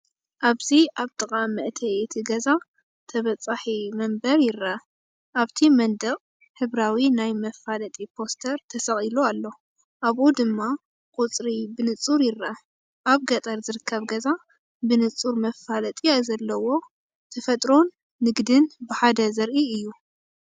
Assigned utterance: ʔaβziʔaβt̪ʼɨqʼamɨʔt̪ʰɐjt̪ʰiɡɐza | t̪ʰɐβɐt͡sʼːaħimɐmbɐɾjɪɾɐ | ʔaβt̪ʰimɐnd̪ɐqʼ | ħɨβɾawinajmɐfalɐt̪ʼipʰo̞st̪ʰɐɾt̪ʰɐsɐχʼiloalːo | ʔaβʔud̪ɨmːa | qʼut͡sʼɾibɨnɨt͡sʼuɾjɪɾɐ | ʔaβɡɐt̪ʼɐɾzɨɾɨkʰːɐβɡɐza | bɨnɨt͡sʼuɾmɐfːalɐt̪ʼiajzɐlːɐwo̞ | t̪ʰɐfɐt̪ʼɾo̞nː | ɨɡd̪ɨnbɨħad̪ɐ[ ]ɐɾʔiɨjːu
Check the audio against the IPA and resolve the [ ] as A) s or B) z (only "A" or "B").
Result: B